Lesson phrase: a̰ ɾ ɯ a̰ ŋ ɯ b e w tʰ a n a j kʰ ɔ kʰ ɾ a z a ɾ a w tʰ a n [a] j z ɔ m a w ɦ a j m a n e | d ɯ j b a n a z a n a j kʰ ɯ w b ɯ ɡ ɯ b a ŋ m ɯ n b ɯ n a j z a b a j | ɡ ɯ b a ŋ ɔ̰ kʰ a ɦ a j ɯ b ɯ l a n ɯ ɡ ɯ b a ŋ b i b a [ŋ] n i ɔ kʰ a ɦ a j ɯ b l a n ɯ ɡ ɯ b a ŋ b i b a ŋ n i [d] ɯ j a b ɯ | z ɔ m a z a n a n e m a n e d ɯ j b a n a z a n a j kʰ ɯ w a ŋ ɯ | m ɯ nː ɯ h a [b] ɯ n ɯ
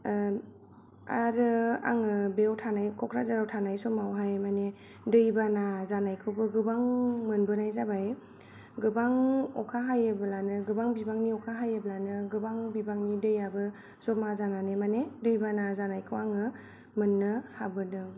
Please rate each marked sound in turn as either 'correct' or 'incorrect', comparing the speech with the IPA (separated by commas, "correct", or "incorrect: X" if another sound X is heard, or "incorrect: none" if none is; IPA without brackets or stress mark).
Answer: correct, correct, correct, correct